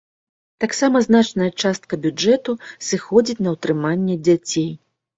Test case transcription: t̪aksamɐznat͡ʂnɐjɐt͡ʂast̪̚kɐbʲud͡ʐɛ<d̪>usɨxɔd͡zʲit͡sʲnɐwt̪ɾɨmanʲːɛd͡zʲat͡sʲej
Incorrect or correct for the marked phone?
incorrect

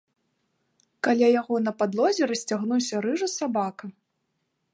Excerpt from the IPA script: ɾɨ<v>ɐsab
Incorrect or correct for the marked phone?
incorrect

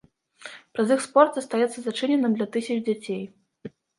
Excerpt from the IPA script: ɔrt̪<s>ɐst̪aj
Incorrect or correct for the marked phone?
incorrect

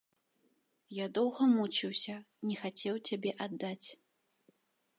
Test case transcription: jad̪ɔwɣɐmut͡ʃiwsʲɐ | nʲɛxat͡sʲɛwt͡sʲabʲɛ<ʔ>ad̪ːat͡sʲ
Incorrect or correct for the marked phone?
correct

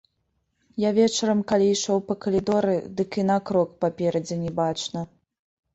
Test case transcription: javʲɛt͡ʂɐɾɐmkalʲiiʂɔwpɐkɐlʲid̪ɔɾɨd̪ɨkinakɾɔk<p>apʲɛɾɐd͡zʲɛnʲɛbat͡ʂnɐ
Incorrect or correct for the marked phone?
correct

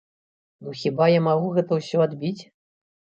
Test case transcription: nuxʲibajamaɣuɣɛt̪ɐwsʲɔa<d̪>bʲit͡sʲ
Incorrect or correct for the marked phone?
correct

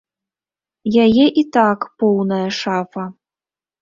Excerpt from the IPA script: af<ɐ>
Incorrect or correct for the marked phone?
correct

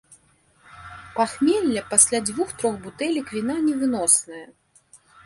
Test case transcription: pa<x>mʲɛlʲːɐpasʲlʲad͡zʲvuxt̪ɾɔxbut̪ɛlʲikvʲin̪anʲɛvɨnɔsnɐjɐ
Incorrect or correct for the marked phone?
correct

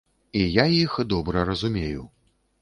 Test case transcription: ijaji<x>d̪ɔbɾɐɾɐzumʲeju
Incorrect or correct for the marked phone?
correct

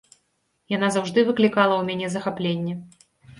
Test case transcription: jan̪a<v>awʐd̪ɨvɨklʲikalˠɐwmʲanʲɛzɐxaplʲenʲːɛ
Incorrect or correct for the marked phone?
incorrect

